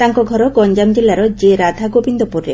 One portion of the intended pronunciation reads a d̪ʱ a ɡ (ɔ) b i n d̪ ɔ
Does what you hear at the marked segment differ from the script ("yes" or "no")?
yes